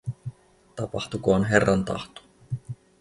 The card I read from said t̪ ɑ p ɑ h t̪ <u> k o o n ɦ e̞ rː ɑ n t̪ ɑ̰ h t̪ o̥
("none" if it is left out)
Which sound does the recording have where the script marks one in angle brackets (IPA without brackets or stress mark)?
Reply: u